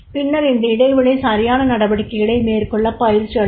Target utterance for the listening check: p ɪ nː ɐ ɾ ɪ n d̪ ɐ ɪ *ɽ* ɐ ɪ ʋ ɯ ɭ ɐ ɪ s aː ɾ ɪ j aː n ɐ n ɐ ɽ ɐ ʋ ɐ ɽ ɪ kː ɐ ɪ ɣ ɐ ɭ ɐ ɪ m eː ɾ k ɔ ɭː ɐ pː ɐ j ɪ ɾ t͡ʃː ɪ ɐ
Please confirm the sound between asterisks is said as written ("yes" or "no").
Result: yes